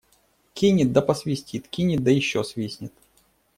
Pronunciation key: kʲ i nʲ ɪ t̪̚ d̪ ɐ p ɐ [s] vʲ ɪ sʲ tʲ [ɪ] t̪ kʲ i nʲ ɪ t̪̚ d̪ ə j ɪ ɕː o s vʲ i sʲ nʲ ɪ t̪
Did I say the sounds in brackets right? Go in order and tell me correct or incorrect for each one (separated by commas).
correct, incorrect